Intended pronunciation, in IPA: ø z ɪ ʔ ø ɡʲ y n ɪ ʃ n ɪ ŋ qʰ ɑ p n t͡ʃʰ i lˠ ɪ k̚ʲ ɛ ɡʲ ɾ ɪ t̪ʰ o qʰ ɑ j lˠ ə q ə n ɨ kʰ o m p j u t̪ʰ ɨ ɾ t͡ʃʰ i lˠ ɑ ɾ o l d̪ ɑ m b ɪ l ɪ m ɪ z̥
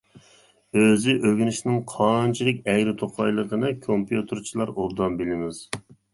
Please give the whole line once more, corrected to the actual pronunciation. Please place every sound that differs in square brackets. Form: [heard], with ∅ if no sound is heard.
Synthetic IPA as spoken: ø z ɪ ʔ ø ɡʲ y n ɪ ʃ n ɪ ŋ qʰ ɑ [∅] n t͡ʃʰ i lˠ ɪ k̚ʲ ɛ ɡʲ ɾ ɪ t̪ʰ o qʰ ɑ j lˠ ə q ə n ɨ kʰ o m p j u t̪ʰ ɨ ɾ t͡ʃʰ i lˠ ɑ ɾ o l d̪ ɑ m b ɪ l ɪ m ɪ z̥